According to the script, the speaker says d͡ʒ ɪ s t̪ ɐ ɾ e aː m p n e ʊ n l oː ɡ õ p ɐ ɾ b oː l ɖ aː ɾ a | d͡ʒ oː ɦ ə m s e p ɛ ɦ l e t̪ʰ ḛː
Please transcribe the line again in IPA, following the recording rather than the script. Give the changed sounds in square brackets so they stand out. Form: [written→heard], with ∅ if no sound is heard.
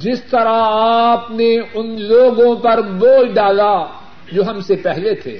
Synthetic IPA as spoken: d͡ʒ ɪ s t̪ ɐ ɾ [e→a] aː [m→∅] p n e ʊ n l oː ɡ õ p ɐ ɾ b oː l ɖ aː [ɾ→l] a | d͡ʒ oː ɦ [ə→ɐ] m s e p ɛ ɦ l e t̪ʰ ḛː